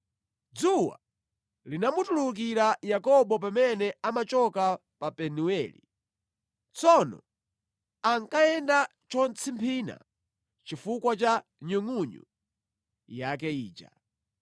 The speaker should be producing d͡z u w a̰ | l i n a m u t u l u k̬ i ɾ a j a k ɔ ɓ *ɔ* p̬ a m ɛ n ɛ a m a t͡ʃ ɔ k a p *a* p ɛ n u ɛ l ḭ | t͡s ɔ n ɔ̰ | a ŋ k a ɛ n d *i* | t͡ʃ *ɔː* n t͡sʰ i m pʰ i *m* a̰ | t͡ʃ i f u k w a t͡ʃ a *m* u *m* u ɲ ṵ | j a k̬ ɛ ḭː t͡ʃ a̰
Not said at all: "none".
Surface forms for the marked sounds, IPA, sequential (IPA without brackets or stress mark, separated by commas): ɔ, a, a, ɔ, n, ɲ, ŋ